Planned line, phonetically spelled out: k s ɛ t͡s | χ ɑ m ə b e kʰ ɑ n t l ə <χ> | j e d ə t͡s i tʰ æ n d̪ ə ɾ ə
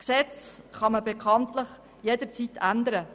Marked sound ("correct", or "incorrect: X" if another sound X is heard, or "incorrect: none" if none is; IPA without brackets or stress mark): correct